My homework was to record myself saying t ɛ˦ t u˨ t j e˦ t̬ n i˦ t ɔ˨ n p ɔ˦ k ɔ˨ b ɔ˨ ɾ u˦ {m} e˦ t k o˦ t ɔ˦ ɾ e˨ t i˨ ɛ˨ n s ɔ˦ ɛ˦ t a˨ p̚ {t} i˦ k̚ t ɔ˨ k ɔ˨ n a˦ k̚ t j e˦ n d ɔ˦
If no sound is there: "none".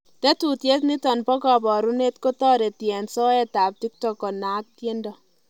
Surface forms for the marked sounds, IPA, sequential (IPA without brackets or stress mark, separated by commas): n, t